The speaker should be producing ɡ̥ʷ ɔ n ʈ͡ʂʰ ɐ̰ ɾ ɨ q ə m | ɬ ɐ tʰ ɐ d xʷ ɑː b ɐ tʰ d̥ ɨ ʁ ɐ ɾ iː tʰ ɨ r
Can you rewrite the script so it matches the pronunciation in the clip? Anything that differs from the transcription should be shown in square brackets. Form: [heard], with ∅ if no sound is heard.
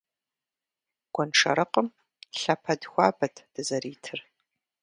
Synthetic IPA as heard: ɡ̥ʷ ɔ n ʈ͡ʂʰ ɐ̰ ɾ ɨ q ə m | ɬ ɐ [pʰ] ɐ d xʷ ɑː b ɐ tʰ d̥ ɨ [z] ɐ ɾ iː tʰ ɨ r